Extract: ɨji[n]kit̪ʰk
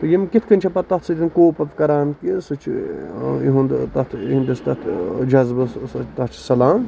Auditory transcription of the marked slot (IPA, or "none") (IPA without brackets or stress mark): m